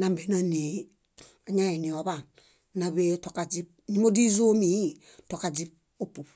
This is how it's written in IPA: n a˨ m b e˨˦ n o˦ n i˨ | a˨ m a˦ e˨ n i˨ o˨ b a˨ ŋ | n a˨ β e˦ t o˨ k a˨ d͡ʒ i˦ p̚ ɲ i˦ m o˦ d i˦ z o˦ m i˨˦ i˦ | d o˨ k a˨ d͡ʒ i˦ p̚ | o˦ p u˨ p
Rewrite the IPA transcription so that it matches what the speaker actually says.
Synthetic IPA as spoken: n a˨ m b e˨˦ n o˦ n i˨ | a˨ ɲ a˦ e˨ n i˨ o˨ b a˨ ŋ | n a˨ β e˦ t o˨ k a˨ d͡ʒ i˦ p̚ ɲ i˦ m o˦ d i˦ z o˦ m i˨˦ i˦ | t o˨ k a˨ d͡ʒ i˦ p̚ | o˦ p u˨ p